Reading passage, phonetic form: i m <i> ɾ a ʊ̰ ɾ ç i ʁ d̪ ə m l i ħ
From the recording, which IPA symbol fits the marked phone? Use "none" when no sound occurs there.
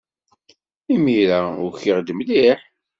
i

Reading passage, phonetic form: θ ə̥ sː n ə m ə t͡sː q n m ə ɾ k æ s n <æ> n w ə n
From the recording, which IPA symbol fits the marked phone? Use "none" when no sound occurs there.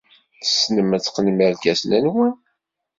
æ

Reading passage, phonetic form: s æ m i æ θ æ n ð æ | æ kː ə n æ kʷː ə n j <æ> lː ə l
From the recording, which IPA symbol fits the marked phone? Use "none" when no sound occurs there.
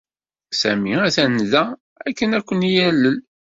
æ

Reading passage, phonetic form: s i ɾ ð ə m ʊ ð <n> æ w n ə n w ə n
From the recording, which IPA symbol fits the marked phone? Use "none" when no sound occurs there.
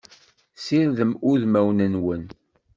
m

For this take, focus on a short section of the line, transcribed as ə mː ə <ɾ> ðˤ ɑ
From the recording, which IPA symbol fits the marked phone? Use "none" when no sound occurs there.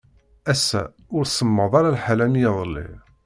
none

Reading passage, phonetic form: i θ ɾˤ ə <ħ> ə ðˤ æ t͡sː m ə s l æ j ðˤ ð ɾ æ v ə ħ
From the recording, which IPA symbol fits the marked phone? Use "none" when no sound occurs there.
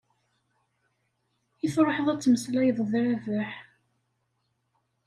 ħ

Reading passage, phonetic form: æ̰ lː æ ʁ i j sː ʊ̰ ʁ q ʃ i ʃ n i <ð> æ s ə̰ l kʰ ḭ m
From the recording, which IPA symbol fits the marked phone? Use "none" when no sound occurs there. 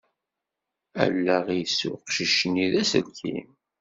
ð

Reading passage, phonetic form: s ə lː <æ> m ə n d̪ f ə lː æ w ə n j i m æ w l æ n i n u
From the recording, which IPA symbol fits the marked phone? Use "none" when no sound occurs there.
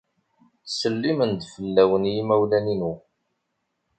i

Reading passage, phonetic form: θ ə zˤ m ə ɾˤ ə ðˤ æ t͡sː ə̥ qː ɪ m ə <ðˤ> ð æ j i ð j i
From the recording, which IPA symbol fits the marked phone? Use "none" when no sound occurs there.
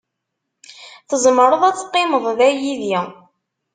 ðˤ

